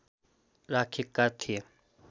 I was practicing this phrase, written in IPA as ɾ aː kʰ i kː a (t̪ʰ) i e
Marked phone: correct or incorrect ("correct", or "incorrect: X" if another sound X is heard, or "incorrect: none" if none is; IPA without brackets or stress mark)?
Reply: correct